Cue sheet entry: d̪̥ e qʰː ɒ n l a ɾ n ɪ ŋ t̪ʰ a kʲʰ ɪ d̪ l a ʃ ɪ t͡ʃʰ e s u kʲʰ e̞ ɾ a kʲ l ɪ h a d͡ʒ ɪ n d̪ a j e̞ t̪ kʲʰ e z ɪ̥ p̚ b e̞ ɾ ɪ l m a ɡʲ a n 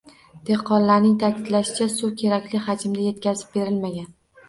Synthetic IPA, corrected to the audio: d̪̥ e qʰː ɒ n l a ɾ n ɪ ŋ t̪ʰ a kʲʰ ɪ d̪ l a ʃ ɪ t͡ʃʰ a s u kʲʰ e̞ ɾ a kʲ l ɪ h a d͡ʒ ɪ m d̪ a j e̞ t̪ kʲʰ a z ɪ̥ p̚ b e̞ ɾ ɪ l m a ɡʲ a n